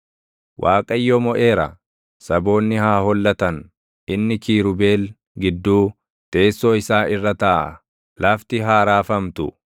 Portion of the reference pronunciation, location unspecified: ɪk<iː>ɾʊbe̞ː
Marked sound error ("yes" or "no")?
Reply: no